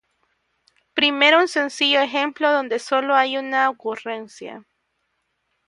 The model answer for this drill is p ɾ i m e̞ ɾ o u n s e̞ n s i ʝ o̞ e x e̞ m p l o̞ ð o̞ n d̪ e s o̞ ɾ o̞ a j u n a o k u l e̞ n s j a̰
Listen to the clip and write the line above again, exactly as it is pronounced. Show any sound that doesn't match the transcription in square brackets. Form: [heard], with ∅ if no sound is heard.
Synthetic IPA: p ɾ i m e̞ ɾ o u n s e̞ n s i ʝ o̞ e x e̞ m p l o̞ ð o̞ n d̪ e s o̞ [l] o̞ a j u n a o k u [r] e̞ n s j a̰